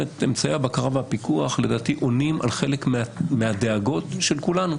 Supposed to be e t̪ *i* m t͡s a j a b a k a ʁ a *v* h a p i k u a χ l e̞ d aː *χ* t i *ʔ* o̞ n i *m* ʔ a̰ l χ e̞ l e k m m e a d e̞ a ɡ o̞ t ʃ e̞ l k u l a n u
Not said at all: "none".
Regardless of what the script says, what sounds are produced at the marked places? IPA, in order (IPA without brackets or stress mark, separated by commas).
e, v, none, ʔ, m